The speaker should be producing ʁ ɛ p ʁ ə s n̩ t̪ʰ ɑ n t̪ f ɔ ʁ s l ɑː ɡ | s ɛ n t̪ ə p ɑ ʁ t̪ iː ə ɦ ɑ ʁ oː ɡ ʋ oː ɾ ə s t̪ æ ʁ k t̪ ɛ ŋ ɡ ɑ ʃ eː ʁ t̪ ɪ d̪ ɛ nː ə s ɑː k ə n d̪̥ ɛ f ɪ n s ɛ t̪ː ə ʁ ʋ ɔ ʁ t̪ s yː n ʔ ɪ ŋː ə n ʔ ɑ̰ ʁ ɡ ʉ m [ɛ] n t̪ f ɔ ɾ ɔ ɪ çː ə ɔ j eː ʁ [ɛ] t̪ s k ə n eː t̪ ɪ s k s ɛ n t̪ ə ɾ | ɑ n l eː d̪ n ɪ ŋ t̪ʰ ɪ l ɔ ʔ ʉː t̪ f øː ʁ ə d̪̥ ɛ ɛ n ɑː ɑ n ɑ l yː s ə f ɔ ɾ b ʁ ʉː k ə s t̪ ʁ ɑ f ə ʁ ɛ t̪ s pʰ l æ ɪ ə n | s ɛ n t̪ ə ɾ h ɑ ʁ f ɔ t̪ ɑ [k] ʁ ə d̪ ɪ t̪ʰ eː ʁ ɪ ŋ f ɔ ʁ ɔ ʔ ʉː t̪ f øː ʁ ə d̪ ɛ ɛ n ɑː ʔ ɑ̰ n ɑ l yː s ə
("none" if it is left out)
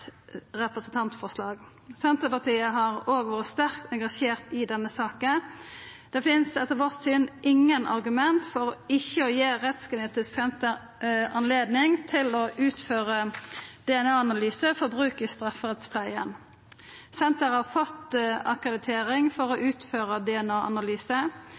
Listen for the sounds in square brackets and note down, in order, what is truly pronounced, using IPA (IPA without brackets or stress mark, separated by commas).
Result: ɛ, ɛ, k